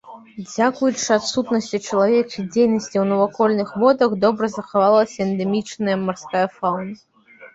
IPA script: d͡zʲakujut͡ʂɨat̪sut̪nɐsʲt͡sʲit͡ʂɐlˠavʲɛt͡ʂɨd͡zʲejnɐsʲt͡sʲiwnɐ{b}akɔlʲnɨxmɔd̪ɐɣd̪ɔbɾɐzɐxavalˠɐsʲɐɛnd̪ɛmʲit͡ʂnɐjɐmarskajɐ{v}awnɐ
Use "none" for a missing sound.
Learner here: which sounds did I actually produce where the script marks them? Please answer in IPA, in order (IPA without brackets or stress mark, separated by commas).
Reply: v, f